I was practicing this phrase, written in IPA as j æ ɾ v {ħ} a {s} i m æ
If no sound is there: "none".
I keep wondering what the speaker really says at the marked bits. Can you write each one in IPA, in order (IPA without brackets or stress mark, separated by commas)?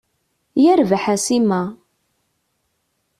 ħ, s